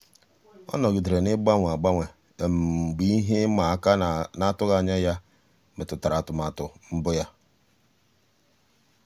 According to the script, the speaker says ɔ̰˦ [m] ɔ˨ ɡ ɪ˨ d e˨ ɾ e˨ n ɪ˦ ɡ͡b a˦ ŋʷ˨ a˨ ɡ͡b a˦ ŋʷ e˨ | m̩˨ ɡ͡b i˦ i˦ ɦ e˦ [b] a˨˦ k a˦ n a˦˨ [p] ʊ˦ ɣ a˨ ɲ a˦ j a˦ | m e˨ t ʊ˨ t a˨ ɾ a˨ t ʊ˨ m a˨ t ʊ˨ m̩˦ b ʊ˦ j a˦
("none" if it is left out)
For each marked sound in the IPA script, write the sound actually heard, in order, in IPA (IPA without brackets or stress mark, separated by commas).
n, m, t